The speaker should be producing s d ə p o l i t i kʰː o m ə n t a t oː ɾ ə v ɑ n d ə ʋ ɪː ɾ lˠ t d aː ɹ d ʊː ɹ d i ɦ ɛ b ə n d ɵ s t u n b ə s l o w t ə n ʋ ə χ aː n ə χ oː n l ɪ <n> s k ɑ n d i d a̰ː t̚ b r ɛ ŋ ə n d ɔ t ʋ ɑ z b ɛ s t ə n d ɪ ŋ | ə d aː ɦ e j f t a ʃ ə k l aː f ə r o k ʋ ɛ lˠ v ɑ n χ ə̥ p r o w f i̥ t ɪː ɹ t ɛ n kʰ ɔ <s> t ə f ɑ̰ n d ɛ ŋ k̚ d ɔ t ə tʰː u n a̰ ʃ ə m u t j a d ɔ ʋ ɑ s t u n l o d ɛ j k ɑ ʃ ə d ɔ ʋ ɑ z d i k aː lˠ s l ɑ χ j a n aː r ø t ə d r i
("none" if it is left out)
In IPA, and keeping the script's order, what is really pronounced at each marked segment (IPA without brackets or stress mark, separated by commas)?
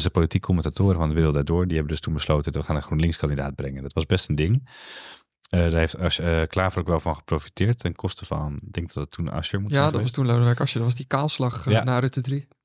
ŋ, s